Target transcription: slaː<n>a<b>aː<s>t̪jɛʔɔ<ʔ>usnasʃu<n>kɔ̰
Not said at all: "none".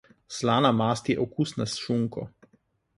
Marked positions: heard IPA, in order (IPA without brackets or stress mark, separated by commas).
n, m, s, k, ŋ